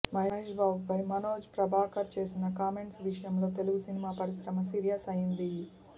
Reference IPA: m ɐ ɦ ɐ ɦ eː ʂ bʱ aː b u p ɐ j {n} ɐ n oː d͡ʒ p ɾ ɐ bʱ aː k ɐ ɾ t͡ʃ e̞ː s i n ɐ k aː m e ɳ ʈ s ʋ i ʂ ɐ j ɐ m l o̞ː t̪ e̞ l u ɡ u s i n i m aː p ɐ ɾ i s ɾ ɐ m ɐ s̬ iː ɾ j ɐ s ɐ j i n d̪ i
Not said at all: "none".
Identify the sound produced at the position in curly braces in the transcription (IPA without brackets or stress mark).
m